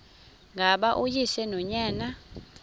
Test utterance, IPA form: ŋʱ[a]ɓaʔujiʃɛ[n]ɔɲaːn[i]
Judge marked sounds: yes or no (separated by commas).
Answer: yes, yes, no